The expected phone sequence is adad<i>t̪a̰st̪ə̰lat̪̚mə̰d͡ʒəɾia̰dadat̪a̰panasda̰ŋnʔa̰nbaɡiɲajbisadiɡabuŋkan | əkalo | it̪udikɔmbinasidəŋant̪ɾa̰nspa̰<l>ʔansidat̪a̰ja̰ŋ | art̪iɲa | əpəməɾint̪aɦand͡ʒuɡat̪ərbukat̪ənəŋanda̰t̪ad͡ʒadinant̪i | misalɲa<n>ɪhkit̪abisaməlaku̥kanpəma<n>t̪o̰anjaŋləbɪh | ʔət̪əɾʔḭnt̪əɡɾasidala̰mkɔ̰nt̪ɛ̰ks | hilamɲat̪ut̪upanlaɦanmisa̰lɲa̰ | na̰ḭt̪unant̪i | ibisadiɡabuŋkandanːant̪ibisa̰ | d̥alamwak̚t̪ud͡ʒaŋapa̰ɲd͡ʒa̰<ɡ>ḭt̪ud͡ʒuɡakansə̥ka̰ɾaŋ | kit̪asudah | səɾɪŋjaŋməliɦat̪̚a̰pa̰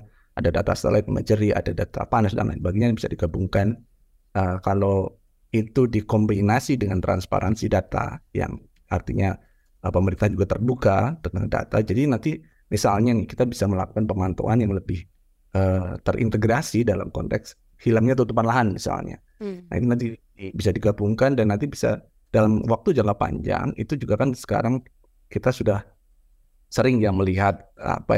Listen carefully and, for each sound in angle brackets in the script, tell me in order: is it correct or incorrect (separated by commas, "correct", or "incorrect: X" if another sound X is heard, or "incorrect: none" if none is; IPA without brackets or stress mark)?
incorrect: a, incorrect: ɾ, correct, correct, incorrect: ŋ